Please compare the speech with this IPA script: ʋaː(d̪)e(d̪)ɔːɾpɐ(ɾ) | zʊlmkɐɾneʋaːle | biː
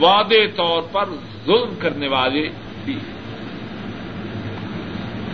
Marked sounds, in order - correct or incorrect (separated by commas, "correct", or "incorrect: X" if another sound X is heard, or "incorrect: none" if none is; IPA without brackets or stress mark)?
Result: correct, incorrect: t̪, correct